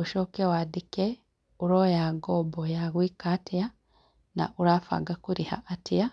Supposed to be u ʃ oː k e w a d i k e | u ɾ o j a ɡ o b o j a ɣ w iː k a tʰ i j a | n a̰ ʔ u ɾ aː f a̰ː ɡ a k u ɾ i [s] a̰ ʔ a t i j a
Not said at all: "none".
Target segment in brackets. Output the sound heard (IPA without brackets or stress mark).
h